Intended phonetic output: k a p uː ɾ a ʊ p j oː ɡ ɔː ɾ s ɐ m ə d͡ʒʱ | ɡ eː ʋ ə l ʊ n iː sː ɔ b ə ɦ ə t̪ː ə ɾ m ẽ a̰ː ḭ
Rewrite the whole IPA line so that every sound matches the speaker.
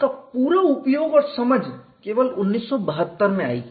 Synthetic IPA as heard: k a p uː ɾ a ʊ p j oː ɡ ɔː ɾ s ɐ m ə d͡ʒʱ | k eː ʋ ə l ʊ nː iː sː ɔ b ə ɦ ə t̪ː ə ɾ m ẽ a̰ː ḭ

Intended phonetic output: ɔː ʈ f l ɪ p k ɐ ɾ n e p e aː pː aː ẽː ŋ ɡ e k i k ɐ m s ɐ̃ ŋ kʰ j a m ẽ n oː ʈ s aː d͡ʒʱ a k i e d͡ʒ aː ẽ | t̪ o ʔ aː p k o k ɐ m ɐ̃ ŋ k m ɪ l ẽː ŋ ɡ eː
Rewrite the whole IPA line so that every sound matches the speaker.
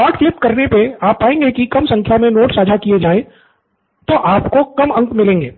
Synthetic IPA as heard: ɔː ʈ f l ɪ p k ɐ ɾ n e p e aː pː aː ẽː ŋ ɡ e k i k ɐ m s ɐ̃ ŋ kʰ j a m ẽ n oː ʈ s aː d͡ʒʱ a k i e d͡ʒ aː ẽ | t̪ o ʔ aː p k o k ɐ m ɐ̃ ŋ k m ɪ l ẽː ŋ ɡ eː

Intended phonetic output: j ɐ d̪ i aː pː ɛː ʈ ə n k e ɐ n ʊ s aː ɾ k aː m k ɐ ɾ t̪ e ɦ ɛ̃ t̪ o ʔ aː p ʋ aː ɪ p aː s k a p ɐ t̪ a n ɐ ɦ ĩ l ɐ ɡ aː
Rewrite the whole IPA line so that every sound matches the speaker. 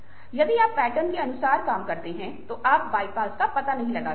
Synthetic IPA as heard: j ɐ d̪ i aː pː ɛː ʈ ə n k e ɐ n ʊ s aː ɾ k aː m k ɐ ɾ t̪ e ɦ ɛ̃ t̪ o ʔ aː p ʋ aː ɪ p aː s k a p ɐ t̪ a n ɐ ɦ ĩ l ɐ ɡ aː

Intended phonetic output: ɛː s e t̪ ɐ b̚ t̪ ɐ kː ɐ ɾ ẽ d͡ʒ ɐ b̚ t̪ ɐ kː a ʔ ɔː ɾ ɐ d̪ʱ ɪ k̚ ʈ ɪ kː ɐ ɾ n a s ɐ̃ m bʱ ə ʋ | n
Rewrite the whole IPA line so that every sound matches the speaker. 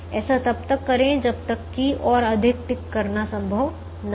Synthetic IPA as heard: ɛː s a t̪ ɐ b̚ t̪ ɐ kː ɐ ɾ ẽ d͡ʒ ɐ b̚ t̪ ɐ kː i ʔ ɔː ɾ ɐ d̪ʱ ɪ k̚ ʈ ɪ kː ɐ ɾ n a s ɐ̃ m bʱ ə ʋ | n

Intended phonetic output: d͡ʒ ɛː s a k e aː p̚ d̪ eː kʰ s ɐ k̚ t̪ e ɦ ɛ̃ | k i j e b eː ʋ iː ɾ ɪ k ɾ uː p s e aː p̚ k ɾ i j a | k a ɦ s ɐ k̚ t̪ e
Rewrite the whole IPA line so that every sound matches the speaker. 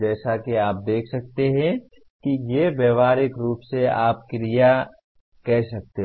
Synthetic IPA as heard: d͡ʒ ɛː s a k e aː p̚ d̪ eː kʰ s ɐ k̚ t̪ e ɦ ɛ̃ | k i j e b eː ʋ aː ɾ ɪ k ɾ uː p s e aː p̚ k ɾ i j a | k ɛ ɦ s ɐ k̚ t̪ e

